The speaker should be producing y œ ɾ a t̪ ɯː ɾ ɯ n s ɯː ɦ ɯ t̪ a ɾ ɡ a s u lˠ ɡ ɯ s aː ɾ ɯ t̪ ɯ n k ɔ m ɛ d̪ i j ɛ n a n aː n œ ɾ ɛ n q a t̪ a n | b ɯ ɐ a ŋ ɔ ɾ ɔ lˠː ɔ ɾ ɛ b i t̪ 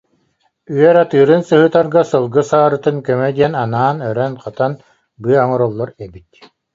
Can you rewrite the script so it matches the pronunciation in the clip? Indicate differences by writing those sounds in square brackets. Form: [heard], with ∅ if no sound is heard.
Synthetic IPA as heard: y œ ɾ a t̪ ɯː ɾ ɯ n s [ɯ] ɦ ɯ t̪ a ɾ ɡ a s [ɯ] lˠ ɡ ɯ s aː ɾ ɯ t̪ ɯ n k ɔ m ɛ d̪ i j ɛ n a n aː n œ ɾ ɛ n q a t̪ a n | b ɯ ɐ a ŋ ɔ ɾ ɔ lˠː ɔ ɾ ɛ b i t̪